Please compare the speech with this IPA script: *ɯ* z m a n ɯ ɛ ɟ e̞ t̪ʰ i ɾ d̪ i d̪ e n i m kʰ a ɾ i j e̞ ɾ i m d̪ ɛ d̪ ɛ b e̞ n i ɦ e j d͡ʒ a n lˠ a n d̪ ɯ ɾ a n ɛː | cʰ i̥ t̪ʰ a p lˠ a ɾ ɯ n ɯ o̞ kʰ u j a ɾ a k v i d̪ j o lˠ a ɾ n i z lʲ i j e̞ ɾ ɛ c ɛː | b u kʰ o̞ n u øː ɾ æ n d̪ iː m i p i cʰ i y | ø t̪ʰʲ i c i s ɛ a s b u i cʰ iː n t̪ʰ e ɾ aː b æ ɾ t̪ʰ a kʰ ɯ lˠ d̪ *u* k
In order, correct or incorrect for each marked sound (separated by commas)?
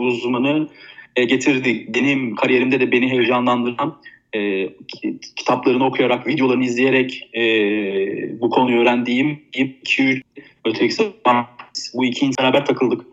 incorrect, incorrect